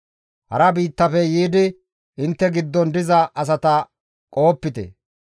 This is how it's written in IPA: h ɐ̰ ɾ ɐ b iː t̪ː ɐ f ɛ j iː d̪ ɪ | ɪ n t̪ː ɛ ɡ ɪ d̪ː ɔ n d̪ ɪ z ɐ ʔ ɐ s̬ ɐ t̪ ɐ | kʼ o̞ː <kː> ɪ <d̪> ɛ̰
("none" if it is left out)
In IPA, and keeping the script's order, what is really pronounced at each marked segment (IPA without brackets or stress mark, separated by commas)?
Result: pː, t̪